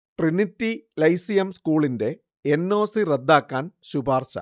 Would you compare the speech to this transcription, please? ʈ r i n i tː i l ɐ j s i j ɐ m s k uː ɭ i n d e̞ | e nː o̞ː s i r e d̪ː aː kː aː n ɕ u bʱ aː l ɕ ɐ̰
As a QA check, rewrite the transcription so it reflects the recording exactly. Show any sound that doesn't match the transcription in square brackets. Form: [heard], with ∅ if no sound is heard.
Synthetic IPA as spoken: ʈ r i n i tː i l ɐ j s i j ɐ m s k uː ɭ i n d e̞ | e nː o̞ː s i r e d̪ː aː kː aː n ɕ u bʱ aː [r] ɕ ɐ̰